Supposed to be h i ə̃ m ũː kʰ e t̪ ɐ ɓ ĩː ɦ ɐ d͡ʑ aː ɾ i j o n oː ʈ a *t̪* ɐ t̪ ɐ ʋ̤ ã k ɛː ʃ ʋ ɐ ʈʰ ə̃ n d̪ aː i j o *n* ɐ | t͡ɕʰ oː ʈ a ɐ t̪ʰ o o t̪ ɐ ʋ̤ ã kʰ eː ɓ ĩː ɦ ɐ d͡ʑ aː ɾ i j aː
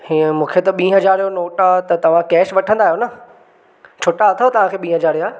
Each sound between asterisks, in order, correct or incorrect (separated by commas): correct, correct